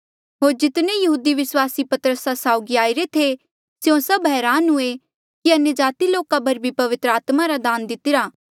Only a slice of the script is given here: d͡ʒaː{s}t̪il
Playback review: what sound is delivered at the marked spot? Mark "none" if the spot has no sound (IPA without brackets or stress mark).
none